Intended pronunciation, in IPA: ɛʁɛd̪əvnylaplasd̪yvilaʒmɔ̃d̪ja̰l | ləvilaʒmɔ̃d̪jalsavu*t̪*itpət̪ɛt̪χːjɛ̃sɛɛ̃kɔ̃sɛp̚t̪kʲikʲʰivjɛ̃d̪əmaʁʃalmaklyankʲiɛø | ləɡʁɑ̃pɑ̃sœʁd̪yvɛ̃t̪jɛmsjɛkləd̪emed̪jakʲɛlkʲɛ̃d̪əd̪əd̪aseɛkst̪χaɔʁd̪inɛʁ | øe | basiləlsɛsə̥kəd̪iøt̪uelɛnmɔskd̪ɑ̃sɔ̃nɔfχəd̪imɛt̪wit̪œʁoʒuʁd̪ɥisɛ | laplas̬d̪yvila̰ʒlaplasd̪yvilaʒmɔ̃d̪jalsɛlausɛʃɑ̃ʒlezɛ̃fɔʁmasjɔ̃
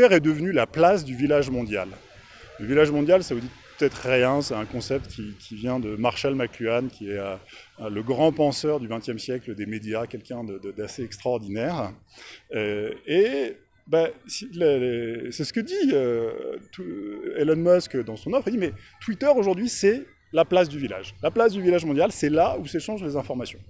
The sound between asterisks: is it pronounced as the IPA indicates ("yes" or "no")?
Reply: no